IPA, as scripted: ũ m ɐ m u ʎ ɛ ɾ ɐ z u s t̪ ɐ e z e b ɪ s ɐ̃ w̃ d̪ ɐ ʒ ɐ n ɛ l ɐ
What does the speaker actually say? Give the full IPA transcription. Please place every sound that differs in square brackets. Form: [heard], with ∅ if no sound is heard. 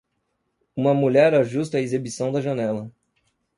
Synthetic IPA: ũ m ɐ m u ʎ ɛ ɾ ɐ [ʒ] u s t̪ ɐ e z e b [i] s ɐ̃ w̃ d̪ ɐ ʒ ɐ n ɛ l ɐ